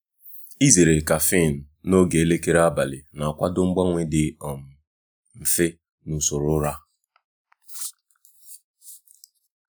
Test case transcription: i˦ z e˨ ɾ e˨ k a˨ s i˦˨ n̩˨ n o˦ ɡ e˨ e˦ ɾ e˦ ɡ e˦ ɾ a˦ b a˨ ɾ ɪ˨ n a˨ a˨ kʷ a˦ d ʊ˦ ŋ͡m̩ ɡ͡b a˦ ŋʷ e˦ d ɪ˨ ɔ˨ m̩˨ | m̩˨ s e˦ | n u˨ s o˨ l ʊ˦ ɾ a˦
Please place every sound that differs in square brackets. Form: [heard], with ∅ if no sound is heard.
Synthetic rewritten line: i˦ z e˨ ɾ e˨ k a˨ [f] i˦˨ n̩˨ n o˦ ɡ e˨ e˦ [l] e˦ [k] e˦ ɾ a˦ b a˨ [l] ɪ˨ n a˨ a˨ kʷ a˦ d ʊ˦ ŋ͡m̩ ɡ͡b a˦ ŋʷ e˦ d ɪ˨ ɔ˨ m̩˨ | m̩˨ [f] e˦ | n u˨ s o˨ [ɾ] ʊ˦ ɾ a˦